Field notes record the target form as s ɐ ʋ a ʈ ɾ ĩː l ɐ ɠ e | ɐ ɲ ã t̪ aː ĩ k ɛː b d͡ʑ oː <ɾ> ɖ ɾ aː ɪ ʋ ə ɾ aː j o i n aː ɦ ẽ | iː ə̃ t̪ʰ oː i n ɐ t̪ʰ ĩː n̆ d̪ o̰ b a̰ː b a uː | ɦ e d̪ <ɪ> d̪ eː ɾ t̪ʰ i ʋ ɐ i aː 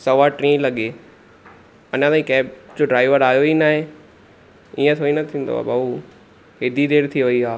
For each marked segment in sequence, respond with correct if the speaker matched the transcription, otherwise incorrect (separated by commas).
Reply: incorrect, incorrect